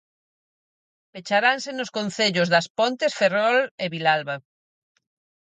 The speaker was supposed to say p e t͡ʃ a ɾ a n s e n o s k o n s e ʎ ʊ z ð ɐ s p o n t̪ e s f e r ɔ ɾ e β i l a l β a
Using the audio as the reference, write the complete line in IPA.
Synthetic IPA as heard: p e t͡ʃ a ɾ a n s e n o s k o n θ e ʎ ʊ z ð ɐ s p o n t̪ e s f e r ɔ l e β i l a l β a